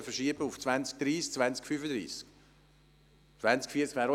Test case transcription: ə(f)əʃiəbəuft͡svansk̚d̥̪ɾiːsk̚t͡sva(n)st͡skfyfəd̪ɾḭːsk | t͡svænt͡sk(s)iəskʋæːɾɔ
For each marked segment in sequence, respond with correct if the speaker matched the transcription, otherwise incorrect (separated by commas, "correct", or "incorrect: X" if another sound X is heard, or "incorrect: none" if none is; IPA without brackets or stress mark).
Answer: correct, correct, incorrect: f